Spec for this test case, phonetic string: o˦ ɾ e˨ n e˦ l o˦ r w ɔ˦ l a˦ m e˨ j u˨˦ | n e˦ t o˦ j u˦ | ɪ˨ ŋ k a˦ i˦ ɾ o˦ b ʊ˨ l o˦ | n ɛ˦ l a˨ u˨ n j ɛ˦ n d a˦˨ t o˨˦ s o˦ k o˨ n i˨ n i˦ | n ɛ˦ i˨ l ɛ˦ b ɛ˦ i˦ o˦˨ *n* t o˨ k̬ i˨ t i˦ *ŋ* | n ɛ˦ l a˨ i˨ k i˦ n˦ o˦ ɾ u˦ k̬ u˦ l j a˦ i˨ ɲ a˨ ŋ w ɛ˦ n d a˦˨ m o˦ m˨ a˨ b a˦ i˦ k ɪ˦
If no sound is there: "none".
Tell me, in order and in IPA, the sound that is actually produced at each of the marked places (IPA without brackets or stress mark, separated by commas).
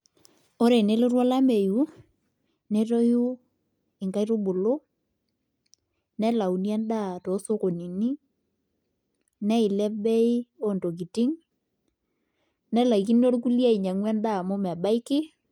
n, ŋ